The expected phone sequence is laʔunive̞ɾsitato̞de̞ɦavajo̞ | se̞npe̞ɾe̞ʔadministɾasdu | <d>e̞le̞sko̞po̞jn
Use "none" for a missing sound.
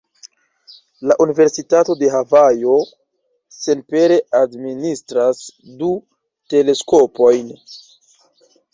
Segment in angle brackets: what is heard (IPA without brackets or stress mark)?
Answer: t